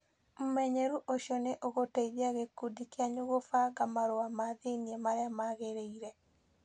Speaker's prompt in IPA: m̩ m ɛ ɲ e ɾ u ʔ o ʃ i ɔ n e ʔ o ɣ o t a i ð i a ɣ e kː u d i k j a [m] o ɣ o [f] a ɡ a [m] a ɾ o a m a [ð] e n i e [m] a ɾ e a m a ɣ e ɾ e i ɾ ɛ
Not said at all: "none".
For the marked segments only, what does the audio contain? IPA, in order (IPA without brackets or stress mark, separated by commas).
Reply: ɲ, f, m, ð, m